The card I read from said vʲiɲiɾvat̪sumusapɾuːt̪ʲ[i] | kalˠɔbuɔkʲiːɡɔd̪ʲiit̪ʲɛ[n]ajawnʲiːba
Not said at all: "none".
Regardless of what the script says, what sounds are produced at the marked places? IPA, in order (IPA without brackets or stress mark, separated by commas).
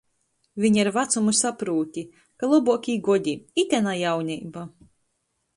i, n